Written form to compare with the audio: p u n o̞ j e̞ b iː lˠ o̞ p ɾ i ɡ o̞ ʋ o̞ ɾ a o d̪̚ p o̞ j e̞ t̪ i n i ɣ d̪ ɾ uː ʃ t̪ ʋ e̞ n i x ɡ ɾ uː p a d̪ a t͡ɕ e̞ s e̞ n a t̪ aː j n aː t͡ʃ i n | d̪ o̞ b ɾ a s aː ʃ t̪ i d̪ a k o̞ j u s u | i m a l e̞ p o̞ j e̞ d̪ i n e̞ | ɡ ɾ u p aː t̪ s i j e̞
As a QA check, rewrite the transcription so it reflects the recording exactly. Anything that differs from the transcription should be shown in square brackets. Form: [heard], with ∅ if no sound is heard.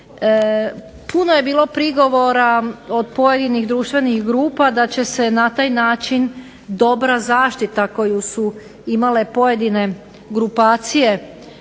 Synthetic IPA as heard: p u n o̞ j e̞ b iː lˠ o̞ p ɾ i ɡ o̞ ʋ o̞ ɾ a o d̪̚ p o̞ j e̞ [d̪] i n i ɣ d̪ ɾ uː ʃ t̪ ʋ e̞ n i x ɡ ɾ uː p a d̪ a t͡ɕ e̞ s e̞ n a t̪ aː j n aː t͡ʃ i n | d̪ o̞ b ɾ a [z] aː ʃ t̪ i [t̪] a k o̞ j u s u | i m a l e̞ p o̞ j e̞ d̪ i n e̞ | ɡ ɾ u p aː t̪ s i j e̞